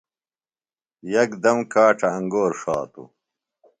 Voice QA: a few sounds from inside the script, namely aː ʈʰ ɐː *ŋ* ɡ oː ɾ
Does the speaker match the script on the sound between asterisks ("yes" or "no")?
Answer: yes